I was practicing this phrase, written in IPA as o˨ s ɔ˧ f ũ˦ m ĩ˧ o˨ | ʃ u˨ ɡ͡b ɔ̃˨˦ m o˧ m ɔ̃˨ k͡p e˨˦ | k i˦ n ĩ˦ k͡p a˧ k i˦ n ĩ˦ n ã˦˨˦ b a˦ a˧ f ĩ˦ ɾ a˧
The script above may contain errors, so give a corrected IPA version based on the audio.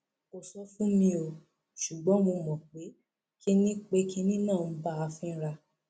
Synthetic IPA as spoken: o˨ s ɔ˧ f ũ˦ m ĩ˧ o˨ | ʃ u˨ ɡ͡b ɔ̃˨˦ m o˧ m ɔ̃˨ k͡p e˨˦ | k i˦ n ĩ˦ k͡p e˧ k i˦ n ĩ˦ n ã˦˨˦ b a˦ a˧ f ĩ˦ ɾ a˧